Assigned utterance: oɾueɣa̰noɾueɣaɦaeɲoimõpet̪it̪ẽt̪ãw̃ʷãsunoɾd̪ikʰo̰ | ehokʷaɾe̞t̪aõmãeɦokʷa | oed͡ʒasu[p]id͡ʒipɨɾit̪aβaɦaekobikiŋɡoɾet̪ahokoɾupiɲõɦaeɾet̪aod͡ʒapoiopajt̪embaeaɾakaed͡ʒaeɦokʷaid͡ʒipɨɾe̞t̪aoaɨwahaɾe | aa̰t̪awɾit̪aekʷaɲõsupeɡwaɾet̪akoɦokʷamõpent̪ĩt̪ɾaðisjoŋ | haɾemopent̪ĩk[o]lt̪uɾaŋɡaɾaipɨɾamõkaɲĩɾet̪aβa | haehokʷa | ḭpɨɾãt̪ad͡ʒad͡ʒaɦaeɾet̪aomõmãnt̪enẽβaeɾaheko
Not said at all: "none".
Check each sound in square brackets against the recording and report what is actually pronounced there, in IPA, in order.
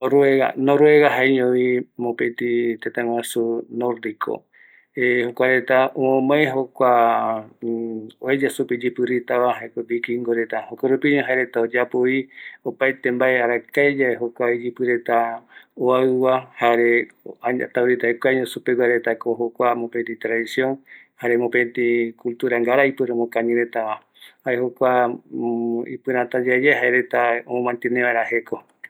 p, u

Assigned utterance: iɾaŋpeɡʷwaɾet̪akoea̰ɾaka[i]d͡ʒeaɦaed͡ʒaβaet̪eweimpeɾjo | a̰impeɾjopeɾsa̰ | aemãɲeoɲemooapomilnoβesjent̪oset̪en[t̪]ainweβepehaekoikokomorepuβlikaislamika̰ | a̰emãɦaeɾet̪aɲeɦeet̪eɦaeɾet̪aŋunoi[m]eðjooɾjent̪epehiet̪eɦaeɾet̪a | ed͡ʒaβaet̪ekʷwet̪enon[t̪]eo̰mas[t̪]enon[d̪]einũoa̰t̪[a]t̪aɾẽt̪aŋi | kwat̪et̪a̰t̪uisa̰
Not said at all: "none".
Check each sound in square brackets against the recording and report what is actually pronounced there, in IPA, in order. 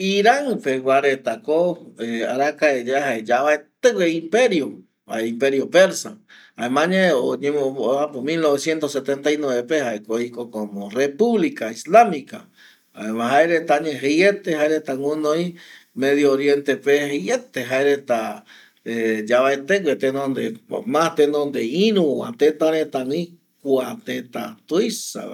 e, t̪, m, d̪, t̪, d̪, e

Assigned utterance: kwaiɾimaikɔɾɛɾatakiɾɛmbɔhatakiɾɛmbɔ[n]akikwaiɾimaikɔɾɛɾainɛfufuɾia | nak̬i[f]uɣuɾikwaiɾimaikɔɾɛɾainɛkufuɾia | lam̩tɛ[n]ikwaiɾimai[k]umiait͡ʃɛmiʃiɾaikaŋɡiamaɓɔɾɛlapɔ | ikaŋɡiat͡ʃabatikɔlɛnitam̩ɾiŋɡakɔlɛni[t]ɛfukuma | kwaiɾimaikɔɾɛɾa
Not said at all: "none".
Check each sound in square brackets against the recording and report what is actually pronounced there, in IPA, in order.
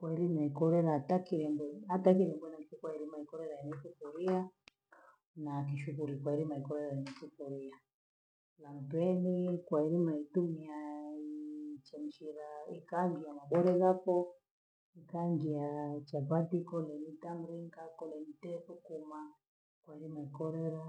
n, ʃ, n, t, t

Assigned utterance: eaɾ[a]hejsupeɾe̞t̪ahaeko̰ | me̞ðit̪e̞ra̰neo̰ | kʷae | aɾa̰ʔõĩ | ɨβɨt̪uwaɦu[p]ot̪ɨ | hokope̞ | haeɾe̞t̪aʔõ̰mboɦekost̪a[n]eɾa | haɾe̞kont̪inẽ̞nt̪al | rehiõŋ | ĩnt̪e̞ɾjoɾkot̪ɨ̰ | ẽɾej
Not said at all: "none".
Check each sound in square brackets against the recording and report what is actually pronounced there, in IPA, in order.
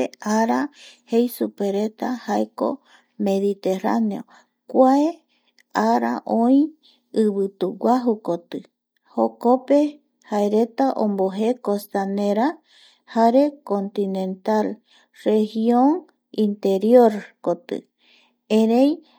a, k, n

